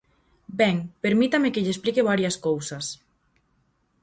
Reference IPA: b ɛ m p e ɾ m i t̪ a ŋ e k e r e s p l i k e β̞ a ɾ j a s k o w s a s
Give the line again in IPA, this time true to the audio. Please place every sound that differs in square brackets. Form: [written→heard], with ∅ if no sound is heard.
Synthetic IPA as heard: b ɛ [m→ŋ] p e ɾ m i t̪ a [ŋ→m] e k e [r→ʎ] e s p l i k e β̞ a ɾ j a s k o w s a s